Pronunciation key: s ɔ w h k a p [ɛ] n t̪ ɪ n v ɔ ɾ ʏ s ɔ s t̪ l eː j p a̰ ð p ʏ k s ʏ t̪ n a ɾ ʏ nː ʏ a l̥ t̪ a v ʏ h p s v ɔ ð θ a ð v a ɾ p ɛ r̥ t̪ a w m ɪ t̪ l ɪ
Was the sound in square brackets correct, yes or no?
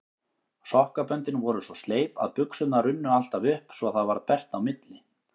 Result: no